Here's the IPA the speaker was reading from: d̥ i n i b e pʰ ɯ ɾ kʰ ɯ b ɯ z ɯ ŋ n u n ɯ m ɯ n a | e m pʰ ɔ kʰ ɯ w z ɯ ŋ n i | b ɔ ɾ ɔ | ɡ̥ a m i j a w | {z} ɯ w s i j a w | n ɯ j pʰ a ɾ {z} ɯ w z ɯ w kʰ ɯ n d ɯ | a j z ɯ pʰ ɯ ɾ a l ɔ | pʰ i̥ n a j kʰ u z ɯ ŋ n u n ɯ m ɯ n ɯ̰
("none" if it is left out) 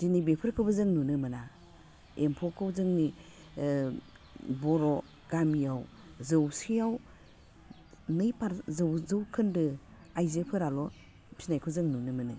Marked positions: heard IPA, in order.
z, z

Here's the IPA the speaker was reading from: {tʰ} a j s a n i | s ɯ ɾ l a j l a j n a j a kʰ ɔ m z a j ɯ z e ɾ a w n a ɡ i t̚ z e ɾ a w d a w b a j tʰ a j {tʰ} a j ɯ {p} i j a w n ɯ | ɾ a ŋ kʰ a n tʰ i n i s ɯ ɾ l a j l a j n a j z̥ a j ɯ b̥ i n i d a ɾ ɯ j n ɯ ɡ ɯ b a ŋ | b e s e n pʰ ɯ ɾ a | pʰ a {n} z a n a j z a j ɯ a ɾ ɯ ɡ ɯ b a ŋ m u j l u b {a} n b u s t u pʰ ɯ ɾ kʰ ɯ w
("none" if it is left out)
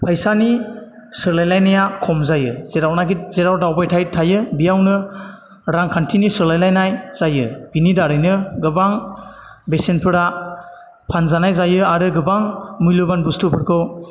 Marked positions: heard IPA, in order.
pʰ, tʰ, b, n, a

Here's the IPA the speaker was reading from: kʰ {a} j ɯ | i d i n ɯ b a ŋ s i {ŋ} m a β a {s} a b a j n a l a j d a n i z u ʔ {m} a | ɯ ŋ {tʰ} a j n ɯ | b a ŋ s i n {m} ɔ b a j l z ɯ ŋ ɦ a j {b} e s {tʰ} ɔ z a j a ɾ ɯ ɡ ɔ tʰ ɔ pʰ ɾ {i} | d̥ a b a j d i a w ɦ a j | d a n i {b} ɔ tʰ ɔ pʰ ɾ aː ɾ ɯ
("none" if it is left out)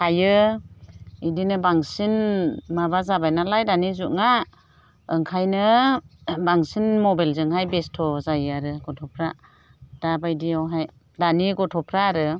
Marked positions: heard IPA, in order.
a, n, z, ŋ, kʰ, m, b, tʰ, a, ɡ

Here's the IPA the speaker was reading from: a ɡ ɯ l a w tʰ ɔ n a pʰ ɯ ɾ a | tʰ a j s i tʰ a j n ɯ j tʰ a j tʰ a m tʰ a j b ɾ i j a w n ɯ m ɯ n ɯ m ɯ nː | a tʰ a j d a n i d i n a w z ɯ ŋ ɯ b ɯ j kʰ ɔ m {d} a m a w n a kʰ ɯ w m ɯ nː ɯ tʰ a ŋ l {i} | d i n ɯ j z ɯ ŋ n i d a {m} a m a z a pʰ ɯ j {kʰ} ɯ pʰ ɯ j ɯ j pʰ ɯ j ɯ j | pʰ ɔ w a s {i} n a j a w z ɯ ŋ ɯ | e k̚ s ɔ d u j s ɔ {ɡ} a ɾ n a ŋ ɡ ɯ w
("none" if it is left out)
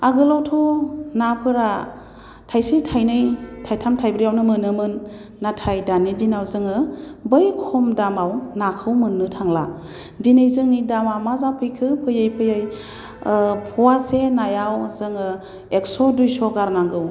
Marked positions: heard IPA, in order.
d, a, m, kʰ, e, ɡ

